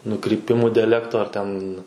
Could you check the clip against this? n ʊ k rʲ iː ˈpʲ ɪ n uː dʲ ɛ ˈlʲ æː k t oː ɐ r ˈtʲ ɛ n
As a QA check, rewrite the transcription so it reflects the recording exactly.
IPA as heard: n ʊ k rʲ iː ˈpʲ ɪ m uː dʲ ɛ ˈlʲ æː k t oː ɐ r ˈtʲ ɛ n